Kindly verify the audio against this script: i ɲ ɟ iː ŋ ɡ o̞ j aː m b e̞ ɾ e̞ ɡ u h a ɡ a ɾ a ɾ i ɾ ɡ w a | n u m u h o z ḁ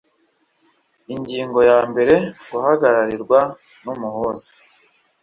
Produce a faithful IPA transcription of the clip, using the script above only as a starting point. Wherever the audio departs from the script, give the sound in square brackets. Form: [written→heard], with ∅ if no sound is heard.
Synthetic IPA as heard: i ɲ ɟ iː ŋ ɡ o̞ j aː m b e̞ ɾ e̞ ɡ u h a ɡ a ɾ a ɾ i ɾ ɡ w a | n u m u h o z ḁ